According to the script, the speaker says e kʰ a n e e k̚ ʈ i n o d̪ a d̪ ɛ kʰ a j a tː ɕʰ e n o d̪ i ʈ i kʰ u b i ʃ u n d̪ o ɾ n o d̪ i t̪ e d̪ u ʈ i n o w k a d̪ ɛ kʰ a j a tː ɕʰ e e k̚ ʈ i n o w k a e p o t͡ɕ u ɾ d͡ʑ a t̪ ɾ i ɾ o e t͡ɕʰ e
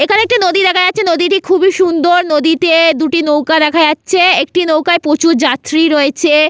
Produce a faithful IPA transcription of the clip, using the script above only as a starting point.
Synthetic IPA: e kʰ a n e e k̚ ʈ i n o d̪ i d̪ ɛ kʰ a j a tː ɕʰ e n o d̪ i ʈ i kʰ u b i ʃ u n d̪ o ɾ n o d̪ i t̪ e d̪ u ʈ i n o w k a d̪ ɛ kʰ a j a tː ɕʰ e e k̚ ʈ i n o w k a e p o t͡ɕ u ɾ d͡ʑ a t̪ ɾ i ɾ o e t͡ɕʰ e